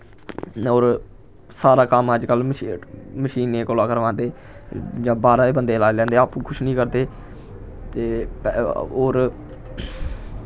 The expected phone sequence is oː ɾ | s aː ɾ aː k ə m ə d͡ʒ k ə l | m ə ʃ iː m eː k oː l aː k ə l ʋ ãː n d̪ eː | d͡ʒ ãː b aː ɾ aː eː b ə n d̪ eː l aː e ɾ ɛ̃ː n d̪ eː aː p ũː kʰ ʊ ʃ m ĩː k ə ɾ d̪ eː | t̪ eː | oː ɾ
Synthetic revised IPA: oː ɾ | s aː ɾ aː k ə m ə d͡ʒ k ə l | m ə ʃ iː n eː k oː l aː k ə ɾ ʋ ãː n d̪ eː | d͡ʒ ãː b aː ɾ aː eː b ə n d̪ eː l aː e l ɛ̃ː n d̪ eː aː p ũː kʰ ʊ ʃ n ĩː k ə ɾ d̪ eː | t̪ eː | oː ɾ